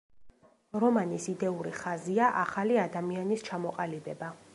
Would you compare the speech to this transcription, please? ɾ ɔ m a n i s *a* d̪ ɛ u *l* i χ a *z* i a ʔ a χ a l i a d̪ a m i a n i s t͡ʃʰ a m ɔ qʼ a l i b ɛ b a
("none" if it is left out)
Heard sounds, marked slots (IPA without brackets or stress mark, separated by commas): i, ɾ, z